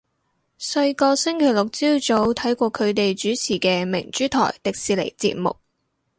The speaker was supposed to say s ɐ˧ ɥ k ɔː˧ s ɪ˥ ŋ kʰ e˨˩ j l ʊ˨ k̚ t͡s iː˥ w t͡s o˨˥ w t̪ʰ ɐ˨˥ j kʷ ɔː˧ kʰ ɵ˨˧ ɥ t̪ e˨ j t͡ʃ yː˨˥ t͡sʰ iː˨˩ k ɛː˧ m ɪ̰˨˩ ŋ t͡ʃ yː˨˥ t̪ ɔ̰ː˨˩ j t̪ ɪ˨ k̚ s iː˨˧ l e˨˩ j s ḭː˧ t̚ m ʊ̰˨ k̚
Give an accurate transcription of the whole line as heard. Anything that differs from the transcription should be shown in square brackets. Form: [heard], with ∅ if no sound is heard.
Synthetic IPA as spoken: s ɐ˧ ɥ k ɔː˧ s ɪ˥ ŋ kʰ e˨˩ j l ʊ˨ k̚ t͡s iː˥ w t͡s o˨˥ w t̪ʰ ɐ˨˥ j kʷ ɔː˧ kʰ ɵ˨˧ ɥ t̪ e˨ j t͡ʃ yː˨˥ t͡sʰ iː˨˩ k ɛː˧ m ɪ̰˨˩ ŋ t͡ʃ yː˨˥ [t̪ʰ] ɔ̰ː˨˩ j t̪ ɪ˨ k̚ s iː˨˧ l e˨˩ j [t͡s] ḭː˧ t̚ m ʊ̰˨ k̚